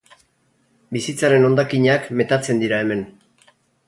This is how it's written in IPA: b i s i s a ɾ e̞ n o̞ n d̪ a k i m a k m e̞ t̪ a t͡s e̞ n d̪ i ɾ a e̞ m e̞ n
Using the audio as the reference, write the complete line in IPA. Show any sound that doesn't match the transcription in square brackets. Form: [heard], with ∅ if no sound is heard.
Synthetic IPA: b i s i [t͡s] a ɾ e̞ n o̞ n d̪ a k i [ɲ] a k m e̞ t̪ a t͡s e̞ n d̪ i ɾ a e̞ m e̞ n